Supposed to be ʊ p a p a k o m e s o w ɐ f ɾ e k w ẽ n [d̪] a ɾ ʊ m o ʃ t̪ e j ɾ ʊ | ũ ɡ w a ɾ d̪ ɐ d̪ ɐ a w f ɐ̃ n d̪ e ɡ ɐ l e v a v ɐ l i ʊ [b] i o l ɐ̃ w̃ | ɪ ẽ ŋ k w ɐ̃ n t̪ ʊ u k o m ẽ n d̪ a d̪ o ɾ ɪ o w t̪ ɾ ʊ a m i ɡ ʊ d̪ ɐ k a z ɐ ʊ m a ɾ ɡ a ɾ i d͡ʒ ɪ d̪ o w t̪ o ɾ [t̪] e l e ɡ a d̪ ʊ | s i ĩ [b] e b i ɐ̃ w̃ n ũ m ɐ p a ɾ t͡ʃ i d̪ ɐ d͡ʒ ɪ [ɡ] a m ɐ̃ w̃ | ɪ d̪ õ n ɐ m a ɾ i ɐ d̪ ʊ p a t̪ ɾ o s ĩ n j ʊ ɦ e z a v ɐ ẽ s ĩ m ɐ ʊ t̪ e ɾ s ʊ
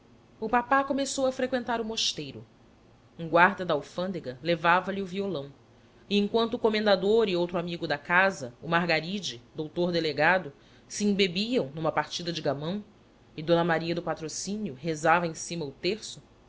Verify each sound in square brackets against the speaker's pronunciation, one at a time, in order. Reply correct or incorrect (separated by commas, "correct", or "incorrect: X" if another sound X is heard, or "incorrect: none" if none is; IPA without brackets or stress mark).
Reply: incorrect: t̪, incorrect: v, incorrect: d̪, correct, correct